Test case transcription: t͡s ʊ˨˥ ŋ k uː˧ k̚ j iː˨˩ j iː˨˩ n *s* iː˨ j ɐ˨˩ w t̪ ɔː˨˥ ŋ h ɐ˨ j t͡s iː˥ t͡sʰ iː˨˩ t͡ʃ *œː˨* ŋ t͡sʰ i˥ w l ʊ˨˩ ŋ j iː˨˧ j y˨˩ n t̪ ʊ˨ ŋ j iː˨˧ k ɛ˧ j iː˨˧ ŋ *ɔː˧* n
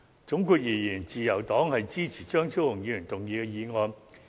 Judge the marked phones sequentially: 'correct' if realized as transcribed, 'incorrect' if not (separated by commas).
incorrect, incorrect, correct